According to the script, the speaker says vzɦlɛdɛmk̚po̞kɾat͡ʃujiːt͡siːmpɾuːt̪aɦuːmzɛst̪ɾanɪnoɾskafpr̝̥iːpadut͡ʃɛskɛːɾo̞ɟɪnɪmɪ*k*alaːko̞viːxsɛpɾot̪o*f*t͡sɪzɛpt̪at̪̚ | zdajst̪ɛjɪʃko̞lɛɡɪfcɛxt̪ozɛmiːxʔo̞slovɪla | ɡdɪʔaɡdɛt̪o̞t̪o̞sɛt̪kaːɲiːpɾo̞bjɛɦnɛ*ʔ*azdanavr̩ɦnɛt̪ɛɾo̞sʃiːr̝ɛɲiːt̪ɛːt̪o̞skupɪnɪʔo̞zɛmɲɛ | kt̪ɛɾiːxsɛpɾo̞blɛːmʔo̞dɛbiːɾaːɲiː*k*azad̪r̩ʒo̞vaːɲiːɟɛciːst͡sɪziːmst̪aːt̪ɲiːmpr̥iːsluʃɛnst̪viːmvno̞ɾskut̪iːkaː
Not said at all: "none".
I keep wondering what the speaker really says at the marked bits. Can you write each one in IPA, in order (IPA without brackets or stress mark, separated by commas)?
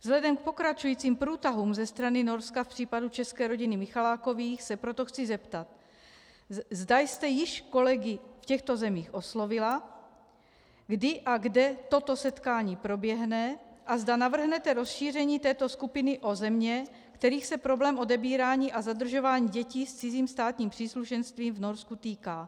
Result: x, x, ʔ, ʔ